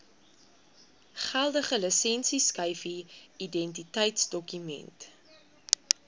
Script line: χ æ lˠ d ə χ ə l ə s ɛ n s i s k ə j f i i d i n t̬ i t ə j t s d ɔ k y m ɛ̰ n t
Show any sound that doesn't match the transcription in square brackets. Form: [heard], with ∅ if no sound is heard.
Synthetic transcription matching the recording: χ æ lˠ d ə χ ə l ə s ɛ n s i s k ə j f i i d [ɛ] n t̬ i t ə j t s d ɔ k y m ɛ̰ n t